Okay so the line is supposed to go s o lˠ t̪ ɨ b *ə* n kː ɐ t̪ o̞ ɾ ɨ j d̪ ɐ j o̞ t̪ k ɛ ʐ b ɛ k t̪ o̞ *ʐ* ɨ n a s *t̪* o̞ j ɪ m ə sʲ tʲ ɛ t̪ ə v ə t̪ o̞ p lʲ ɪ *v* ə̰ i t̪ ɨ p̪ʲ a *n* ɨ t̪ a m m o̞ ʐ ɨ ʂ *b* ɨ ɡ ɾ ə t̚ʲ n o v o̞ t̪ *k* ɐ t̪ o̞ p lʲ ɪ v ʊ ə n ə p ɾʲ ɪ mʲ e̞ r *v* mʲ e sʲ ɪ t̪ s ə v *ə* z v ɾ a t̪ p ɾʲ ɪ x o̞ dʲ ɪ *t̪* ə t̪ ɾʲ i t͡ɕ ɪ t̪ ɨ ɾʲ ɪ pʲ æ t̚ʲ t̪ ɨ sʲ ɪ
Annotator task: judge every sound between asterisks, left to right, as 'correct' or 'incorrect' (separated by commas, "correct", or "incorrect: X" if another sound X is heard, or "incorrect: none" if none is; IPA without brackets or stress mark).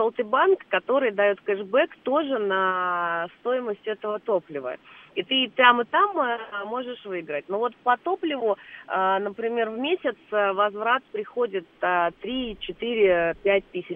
incorrect: a, correct, correct, correct, incorrect: m, incorrect: v, incorrect: p, correct, incorrect: ɐ, correct